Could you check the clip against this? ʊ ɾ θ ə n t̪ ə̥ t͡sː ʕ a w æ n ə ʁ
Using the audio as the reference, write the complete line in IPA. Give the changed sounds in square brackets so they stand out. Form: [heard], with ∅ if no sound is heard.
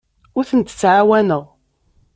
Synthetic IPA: ʊ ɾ θ ə n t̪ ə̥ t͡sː ʕ a w æ n ə ʁ